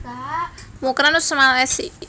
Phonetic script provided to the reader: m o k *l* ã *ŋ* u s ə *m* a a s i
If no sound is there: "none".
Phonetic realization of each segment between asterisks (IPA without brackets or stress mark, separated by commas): ɾ, n, m